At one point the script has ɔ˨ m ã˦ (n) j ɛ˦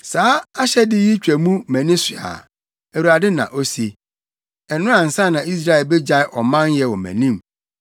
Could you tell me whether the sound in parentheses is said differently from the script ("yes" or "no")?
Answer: no